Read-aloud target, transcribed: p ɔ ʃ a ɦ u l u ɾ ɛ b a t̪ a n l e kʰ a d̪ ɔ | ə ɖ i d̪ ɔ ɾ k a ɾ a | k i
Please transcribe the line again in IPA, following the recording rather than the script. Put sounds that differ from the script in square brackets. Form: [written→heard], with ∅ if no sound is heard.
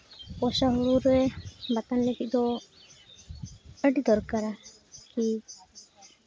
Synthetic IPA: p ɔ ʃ a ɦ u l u ɾ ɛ b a t̪ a n l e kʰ [a→i] d̪ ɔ | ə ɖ i d̪ ɔ ɾ k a ɾ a | k i